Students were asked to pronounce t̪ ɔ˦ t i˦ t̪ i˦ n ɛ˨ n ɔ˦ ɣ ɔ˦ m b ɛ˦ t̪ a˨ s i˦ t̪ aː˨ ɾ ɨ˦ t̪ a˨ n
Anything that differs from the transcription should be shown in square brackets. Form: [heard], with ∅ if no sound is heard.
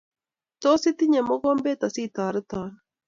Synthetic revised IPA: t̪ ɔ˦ [s] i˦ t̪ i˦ [ɲ] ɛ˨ [m] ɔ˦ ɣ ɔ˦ m b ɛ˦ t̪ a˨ s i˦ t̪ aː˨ ɾ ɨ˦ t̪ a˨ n